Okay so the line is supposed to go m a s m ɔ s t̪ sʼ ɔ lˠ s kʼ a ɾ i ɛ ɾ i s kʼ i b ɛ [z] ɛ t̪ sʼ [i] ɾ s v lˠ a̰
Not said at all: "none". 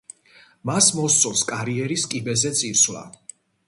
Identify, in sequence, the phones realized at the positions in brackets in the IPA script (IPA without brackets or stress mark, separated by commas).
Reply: z, i